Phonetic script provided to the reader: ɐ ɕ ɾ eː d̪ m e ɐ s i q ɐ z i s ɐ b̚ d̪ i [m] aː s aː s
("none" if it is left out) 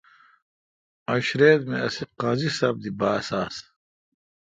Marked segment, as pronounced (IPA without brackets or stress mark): b